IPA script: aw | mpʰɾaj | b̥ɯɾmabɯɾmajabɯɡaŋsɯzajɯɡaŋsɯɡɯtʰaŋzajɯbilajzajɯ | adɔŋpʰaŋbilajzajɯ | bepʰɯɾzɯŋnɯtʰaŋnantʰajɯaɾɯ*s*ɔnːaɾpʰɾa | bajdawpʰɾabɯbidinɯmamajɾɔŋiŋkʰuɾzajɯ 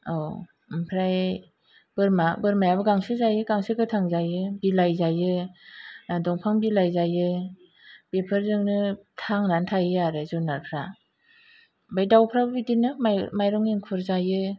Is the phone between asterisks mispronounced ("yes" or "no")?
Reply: yes